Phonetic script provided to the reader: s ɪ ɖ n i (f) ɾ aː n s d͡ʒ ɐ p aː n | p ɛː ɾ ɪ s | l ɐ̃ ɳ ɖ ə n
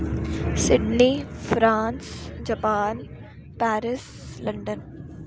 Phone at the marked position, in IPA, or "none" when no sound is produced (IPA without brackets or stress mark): f